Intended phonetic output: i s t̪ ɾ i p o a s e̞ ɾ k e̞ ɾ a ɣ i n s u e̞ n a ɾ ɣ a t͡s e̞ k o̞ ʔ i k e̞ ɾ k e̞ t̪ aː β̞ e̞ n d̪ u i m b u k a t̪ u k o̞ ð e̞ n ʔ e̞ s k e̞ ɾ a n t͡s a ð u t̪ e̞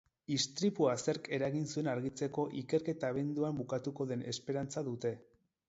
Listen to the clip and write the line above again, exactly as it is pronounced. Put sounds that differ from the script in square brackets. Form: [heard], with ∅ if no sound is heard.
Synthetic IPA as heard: i s t̪ ɾ i p [u] a s e̞ ɾ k e̞ ɾ a ɣ i n s u e̞ n a ɾ ɣ [i] t͡s e̞ k o̞ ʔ i k e̞ ɾ k e̞ t̪ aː β̞ e̞ n d̪ u [a] m b u k a t̪ u k o̞ ð e̞ n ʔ e̞ s [p] e̞ ɾ a n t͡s a ð u t̪ e̞